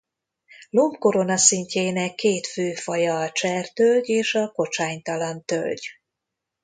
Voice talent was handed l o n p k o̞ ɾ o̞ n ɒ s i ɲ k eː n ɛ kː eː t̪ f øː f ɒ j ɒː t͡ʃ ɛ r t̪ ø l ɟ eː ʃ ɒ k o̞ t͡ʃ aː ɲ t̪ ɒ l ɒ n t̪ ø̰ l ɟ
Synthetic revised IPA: l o m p k o̞ ɾ o̞ n ɒ s i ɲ c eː n ɛ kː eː t̪ f øː f ɒ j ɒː t͡ʃ ɛ r t̪ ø l ɟ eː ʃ ɒ k o̞ t͡ʃ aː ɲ t̪ ɒ l ɒ n t̪ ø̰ l ɟ